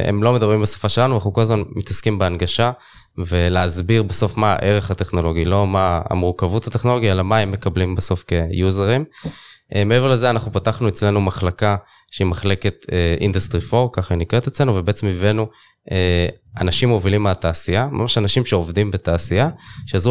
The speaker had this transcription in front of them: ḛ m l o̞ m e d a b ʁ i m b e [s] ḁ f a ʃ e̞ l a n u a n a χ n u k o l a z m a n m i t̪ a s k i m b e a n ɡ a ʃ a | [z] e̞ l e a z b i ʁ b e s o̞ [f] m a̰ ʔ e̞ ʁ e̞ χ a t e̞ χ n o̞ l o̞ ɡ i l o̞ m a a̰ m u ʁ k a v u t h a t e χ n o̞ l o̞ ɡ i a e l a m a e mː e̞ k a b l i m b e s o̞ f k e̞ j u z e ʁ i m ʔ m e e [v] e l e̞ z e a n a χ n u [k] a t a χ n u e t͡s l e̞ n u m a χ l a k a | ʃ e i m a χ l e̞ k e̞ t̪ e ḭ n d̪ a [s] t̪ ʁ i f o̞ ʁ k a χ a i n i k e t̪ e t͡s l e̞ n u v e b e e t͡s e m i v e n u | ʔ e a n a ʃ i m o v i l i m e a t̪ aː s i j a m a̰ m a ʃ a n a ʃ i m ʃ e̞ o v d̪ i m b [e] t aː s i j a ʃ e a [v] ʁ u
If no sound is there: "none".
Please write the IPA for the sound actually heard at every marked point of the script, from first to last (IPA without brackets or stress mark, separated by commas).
s, v, f, v, p, s, e, z